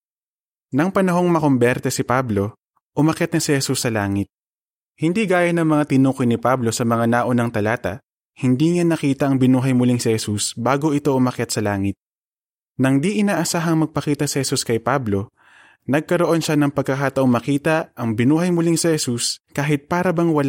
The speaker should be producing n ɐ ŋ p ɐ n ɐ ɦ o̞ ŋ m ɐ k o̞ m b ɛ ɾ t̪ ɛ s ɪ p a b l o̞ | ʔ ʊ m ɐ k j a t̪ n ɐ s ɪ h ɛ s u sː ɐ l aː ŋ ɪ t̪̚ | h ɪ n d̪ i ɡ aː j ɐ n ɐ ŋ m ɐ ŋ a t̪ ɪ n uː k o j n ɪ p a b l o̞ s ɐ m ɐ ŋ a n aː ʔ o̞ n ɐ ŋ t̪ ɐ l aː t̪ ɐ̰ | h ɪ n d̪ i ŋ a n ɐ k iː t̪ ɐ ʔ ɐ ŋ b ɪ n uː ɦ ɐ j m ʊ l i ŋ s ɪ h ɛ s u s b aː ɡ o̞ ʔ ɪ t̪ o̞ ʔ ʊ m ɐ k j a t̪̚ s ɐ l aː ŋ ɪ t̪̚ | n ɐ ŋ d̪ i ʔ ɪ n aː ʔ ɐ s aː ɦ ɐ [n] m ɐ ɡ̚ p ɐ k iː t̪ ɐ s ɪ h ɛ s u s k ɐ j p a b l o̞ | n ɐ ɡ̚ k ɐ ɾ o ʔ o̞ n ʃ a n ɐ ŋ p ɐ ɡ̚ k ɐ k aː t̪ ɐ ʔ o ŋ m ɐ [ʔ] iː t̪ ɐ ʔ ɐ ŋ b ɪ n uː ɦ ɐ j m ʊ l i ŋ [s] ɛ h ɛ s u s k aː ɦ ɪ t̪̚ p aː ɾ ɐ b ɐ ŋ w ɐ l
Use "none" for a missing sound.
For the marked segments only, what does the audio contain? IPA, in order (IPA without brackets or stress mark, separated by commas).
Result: ŋ, k, s